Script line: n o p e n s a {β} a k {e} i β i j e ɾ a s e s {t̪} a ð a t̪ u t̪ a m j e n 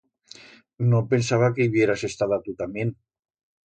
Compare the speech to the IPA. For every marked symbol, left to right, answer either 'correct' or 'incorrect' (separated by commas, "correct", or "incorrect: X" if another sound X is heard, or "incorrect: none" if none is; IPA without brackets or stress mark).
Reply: correct, correct, correct